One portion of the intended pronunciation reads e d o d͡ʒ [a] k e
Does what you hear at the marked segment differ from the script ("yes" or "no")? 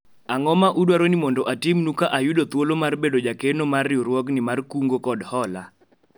no